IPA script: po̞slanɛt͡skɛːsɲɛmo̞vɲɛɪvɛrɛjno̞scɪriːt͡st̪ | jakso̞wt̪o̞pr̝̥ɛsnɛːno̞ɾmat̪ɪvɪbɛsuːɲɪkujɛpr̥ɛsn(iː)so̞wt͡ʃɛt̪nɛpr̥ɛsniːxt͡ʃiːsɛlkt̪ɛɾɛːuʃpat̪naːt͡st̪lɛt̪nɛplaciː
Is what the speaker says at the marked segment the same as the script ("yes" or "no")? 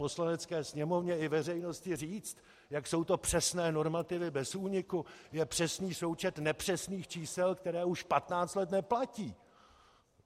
yes